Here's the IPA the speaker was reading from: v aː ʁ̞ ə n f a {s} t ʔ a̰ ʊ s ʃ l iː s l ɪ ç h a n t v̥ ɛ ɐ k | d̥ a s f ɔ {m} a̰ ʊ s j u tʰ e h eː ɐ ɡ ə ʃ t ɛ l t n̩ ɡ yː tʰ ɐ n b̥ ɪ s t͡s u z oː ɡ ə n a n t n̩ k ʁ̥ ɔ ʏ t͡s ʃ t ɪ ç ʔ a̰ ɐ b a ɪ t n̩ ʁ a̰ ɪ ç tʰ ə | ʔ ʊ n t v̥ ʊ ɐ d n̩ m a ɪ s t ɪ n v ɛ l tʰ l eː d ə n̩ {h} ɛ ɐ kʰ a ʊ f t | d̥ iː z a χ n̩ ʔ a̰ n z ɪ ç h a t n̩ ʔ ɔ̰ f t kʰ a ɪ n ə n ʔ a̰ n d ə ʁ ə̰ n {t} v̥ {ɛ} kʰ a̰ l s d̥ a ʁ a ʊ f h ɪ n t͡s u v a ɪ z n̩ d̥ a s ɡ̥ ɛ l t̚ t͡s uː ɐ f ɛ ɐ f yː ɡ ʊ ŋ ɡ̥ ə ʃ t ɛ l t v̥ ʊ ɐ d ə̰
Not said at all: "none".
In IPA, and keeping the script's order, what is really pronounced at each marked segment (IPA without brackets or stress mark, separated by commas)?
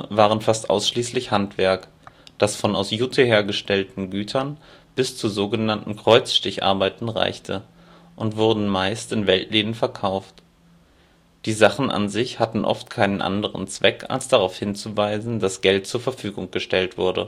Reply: s, n, f, t͡s, ɛ